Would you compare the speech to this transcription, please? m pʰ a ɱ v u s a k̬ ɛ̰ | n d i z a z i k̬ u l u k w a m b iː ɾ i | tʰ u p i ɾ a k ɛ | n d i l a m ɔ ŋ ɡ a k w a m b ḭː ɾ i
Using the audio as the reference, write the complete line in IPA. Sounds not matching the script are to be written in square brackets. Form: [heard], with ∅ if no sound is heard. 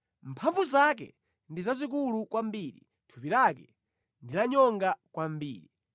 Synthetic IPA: m pʰ a ɱ v u [z] a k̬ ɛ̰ | n d i z a z i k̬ u l u k w a m b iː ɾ i | tʰ u p i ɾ a k ɛ | n d i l a [ɲ] ɔ ŋ ɡ a k w a m b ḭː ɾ i